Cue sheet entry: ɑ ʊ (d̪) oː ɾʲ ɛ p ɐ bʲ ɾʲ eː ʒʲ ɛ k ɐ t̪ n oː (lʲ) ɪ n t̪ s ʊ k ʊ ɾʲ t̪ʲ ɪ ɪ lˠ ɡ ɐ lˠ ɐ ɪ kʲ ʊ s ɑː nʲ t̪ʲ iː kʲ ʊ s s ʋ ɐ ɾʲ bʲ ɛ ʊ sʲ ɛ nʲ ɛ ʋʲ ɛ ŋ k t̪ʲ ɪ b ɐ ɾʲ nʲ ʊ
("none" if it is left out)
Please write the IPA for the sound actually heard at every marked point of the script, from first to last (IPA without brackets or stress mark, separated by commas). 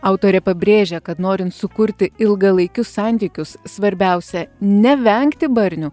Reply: t̪, ɾʲ